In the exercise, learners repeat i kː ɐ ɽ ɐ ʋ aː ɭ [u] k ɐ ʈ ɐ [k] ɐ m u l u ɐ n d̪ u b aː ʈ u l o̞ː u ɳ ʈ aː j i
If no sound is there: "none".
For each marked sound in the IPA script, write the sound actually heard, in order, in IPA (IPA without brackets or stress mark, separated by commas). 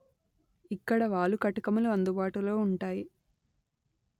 u, k